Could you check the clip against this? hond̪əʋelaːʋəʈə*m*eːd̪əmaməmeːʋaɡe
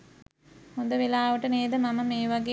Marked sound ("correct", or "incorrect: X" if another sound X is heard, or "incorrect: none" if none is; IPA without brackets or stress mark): incorrect: n